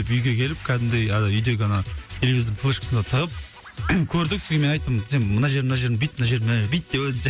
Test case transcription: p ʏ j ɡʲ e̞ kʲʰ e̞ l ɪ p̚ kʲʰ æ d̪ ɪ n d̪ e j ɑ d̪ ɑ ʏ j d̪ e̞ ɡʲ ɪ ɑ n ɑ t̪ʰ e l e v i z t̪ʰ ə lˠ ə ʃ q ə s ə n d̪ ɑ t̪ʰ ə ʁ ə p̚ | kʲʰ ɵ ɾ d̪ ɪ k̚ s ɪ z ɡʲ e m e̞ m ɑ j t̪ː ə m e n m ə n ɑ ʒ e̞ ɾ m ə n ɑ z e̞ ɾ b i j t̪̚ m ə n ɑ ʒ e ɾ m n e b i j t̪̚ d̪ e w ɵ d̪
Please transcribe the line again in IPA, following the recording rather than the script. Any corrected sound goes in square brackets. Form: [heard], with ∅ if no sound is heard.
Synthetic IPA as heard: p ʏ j ɡʲ e̞ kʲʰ e̞ l ɪ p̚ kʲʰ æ d̪ ɪ n d̪ e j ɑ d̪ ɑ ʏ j d̪ e̞ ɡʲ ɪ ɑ n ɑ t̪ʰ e l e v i z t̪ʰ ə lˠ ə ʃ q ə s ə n d̪ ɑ t̪ʰ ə ʁ ə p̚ | kʲʰ ɵ ɾ d̪ ɪ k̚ s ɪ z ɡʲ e m e̞ [n] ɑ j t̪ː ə m e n m ə n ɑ ʒ e̞ ɾ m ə n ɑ [ʒ] e̞ ɾ b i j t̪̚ m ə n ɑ ʒ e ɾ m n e b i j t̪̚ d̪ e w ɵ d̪

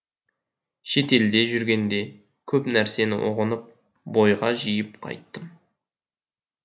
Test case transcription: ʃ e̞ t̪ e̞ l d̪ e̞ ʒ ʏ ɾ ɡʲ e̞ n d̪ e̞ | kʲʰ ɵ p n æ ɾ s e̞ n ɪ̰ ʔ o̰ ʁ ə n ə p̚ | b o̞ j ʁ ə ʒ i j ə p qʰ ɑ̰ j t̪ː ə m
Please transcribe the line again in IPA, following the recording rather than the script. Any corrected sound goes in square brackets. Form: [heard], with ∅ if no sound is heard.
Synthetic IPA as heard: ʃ e̞ t̪ e̞ l d̪ e̞ ʒ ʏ ɾ ɡʲ e̞ n d̪ e̞ | kʲʰ ɵ p n æ ɾ s e̞ n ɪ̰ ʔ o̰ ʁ ə n ə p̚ | b o̞ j ʁ [ɑ] ʒ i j ə p qʰ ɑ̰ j t̪ː ə m

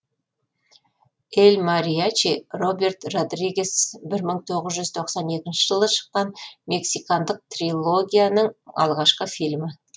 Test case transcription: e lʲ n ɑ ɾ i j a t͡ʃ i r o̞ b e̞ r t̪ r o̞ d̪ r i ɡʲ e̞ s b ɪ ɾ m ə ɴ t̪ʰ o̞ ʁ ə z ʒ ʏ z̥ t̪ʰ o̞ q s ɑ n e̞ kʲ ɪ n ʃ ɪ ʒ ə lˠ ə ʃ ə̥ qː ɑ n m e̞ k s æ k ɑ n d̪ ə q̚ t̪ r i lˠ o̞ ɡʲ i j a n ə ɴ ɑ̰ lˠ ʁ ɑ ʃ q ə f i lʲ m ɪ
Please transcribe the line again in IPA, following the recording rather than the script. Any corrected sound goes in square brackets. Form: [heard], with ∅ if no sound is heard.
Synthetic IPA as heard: e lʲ [m] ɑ ɾ i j a t͡ʃ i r o̞ b e̞ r t̪ r o̞ d̪ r i ɡʲ e̞ s b ɪ ɾ m ə ɴ t̪ʰ o̞ ʁ ə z ʒ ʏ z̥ t̪ʰ o̞ q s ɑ n e̞ kʲ ɪ n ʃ ɪ ʒ ə lˠ ə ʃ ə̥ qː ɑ n m e̞ k s [i] k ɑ n d̪ ə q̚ t̪ r i lˠ o̞ ɡʲ i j a n ə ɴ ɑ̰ lˠ ʁ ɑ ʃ q ə f i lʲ m ɪ

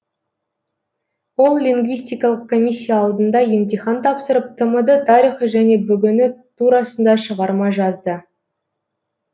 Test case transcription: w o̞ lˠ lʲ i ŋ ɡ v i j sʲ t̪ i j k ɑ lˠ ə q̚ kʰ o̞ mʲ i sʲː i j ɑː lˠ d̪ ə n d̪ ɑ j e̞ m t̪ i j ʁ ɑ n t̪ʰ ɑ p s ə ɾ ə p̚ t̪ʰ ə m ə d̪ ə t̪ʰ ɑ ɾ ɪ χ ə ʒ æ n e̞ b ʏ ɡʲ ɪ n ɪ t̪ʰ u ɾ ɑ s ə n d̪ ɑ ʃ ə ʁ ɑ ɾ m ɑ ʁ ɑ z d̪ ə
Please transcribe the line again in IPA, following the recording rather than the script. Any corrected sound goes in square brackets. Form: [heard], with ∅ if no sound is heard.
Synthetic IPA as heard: w o̞ lˠ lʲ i ŋ ɡ v i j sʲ t̪ i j k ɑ lˠ ə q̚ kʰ o̞ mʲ i sʲː i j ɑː lˠ d̪ ə n d̪ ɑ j e̞ m t̪ i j [χ] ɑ n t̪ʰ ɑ p s ə ɾ ə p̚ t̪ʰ ə m ə d̪ ə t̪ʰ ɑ ɾ [i] χ ə ʒ æ n e̞ b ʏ ɡʲ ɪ n ɪ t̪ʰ u ɾ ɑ s ə n d̪ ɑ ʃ ə ʁ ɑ ɾ m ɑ [ʒ] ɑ z d̪ ə

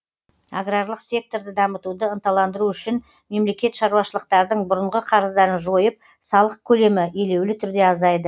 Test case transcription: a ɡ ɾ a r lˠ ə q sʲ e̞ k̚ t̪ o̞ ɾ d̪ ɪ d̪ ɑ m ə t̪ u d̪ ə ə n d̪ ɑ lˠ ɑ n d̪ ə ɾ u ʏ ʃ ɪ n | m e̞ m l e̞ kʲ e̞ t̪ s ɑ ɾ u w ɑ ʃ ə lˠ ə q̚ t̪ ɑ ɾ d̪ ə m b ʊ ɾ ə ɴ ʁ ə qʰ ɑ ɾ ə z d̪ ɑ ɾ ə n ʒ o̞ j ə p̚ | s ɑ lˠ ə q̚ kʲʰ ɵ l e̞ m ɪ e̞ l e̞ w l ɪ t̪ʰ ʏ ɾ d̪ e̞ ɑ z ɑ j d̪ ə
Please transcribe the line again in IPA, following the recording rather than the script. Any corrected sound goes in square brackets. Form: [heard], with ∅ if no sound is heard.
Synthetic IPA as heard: a ɡ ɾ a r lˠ ə q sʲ e̞ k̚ t̪ o̞ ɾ d̪ ɪ d̪ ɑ m ə t̪ u d̪ ə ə n [t̪] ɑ lˠ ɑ n d̪ ə ɾ u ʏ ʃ ɪ n | m e̞ m l e̞ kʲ e̞ t̪ [ʃ] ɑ ɾ u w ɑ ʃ ə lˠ ə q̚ t̪ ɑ ɾ d̪ ə [ɴ] b ʊ ɾ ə ɴ ʁ ə qʰ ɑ ɾ ə z d̪ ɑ ɾ ə n ʒ o̞ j ə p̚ | s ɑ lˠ ə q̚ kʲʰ ɵ l e̞ m ɪ e̞ l e̞ w l ɪ t̪ʰ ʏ ɾ d̪ e̞ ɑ z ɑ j d̪ ə

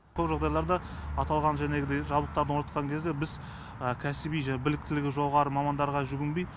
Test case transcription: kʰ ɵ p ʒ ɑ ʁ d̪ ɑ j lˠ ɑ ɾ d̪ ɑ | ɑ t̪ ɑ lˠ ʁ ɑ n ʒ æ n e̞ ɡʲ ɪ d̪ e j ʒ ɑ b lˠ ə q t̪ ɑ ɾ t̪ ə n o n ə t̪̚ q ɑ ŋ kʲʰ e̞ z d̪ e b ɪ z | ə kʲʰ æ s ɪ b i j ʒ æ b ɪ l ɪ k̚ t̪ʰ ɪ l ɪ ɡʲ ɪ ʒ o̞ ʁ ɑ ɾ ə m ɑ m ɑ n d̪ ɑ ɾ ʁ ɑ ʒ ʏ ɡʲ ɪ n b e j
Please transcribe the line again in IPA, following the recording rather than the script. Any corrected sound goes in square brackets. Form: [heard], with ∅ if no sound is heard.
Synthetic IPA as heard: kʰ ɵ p ʒ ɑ ʁ d̪ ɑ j lˠ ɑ ɾ d̪ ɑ | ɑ t̪ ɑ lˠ ʁ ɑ n ʒ æ n e̞ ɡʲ ɪ d̪ e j ʒ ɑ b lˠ ə q t̪ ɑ ɾ [d̪] ə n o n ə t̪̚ q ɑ ŋ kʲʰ e̞ z d̪ e b ɪ z | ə kʲʰ æ s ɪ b i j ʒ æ b ɪ l ɪ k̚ [t̪] ɪ l ɪ ɡʲ ɪ ʒ o̞ ʁ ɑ ɾ ə m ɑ m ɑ n d̪ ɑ ɾ ʁ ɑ ʒ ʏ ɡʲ ɪ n b e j

